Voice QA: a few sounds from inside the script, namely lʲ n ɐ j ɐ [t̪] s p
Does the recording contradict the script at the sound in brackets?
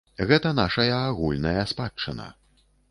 yes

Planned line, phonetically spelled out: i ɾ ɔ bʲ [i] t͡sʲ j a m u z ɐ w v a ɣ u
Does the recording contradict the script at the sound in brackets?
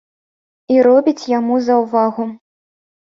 no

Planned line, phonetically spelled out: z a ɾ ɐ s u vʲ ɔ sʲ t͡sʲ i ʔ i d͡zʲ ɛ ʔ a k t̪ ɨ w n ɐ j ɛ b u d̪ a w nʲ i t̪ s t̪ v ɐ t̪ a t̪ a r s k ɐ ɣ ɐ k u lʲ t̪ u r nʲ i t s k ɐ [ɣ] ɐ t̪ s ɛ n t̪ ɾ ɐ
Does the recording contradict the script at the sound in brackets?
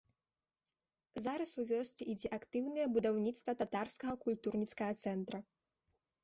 no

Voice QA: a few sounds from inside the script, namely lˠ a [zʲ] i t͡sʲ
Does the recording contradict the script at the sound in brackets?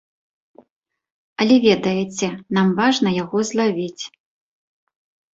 yes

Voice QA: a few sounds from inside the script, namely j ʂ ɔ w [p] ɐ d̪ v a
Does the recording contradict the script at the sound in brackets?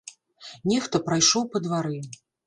no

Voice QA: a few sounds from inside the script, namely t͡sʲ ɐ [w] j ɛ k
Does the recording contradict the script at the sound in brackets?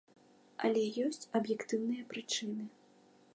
yes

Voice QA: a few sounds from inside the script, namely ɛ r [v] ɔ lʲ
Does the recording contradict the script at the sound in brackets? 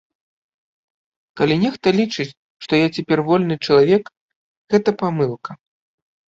no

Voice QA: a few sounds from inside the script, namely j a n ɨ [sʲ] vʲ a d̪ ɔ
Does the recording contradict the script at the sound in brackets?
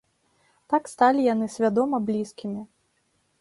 no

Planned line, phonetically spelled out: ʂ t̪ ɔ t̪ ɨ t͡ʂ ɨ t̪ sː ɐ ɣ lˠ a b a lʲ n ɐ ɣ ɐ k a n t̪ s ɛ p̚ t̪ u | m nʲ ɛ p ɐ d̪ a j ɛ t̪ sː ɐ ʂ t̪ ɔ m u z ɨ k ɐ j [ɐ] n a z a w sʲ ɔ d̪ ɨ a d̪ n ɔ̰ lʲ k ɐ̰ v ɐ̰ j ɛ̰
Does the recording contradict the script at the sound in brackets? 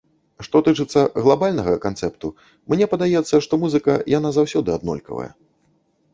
yes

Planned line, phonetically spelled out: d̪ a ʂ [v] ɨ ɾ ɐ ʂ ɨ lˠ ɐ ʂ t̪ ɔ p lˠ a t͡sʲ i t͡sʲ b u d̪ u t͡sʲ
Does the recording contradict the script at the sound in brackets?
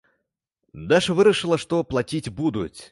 no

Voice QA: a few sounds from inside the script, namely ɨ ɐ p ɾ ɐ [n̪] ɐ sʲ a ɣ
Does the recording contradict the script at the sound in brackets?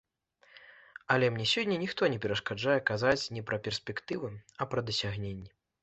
yes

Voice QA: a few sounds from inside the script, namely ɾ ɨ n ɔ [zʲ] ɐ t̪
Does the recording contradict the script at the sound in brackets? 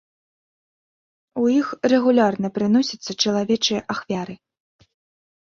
yes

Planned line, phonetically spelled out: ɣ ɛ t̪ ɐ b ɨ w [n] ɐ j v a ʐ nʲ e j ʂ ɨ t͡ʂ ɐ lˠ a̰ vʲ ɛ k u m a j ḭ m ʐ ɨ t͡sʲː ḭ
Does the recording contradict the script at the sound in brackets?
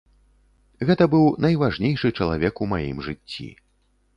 no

